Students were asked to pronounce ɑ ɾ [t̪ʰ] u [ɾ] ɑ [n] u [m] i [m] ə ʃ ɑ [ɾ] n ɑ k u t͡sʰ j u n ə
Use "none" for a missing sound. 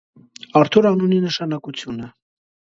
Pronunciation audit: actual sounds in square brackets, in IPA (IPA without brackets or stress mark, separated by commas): t̪ʰ, ɾ, n, n, n, none